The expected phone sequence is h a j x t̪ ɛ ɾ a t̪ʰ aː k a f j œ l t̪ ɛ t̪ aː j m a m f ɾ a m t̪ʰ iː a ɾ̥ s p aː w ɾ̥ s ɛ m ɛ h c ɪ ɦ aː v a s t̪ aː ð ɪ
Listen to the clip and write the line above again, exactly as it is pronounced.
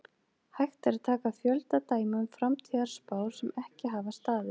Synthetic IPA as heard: h a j x t̪ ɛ ɾ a t̪ʰ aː k a f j œ l t̪ a t̪ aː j m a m f ɾ a m t̪ʰ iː a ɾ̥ s p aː w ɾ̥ s ɛ m ɛ h c ɪ ɦ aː v a s t̪ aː ð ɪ